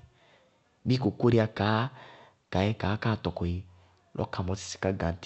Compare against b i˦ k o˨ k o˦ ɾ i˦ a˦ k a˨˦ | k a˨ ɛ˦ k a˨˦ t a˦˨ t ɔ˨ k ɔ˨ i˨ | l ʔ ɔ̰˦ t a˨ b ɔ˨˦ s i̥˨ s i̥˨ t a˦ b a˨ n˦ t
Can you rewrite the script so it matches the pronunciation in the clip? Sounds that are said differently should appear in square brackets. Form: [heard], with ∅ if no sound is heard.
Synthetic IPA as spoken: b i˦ k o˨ k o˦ ɾ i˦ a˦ k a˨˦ | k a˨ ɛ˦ k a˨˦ [k] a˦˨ t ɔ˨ k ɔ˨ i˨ | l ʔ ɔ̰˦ [k] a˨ [m] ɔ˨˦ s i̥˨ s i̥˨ [k] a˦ [ɡ] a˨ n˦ t